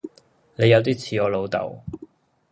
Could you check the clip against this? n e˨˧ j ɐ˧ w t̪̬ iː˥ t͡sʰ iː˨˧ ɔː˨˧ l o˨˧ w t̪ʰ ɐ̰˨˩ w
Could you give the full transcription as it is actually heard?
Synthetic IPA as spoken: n e˨˧ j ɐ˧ w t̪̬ iː˥ t͡sʰ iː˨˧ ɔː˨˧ l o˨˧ w t̪ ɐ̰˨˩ w